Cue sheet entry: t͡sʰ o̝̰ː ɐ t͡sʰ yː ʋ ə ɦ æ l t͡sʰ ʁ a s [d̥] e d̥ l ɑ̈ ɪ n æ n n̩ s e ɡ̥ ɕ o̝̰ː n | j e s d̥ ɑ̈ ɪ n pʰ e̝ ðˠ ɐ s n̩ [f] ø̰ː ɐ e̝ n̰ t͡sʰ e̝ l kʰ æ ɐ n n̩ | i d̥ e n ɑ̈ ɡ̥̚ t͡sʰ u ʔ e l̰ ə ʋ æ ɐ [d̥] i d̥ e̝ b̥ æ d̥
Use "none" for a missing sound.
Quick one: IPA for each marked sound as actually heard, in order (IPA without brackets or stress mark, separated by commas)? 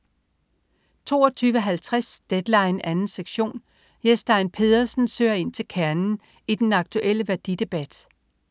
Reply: d̥, s, d̥